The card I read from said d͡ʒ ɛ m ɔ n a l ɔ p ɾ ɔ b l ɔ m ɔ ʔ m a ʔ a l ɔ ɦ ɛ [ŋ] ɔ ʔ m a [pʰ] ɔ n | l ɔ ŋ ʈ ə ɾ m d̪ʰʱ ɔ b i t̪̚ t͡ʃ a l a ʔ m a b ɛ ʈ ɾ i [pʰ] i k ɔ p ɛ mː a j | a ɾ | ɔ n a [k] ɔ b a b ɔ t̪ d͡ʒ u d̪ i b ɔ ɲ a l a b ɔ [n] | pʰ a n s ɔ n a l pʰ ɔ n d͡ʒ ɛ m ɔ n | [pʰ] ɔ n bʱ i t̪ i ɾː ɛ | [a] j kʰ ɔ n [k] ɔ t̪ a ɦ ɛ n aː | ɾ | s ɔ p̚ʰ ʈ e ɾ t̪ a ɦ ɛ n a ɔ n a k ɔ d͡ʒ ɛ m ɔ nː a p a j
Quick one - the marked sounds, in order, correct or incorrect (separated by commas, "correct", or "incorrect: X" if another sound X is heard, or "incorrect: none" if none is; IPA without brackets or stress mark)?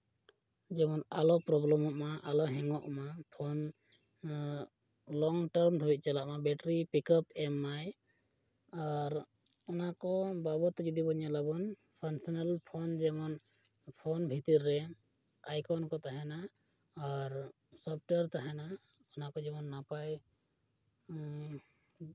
correct, correct, incorrect: p, correct, correct, correct, correct, correct